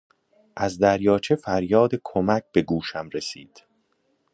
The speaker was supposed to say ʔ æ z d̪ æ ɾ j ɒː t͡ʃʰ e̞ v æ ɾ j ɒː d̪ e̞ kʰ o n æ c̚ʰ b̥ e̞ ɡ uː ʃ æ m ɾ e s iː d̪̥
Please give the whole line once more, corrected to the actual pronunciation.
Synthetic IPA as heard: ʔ æ z d̪ æ ɾ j ɒː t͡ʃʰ e̞ f æ ɾ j ɒː d̪ e̞ kʰ o m æ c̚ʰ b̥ e̞ ɡ uː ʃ æ m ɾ e s iː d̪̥